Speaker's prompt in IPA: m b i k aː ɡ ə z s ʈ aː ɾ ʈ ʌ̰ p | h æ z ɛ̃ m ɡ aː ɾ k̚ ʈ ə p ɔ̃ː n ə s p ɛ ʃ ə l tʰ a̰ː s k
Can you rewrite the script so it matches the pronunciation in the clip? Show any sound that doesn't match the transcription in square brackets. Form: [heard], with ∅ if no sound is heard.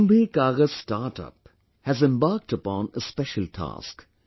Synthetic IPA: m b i k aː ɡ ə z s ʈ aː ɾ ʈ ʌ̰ p | h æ z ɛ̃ m [b] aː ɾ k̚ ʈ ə p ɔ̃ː n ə s p ɛ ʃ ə l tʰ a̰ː s k